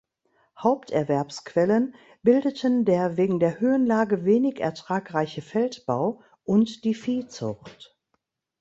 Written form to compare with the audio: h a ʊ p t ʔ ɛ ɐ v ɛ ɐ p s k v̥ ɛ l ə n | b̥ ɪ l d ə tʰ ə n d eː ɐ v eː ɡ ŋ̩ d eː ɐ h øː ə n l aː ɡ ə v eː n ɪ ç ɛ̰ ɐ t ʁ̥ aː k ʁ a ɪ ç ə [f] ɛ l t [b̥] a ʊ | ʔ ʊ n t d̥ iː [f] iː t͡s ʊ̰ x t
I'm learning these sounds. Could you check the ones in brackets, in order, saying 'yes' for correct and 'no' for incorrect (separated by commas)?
yes, yes, yes